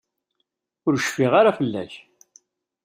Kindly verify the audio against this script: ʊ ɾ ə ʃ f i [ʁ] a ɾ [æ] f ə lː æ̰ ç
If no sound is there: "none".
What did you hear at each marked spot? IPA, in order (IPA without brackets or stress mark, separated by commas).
ʁ, a